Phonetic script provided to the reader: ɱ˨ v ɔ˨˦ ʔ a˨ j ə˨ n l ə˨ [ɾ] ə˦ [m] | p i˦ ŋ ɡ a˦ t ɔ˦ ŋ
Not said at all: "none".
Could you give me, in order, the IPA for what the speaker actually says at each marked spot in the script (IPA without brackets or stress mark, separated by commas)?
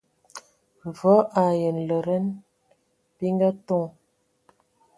ɾ, n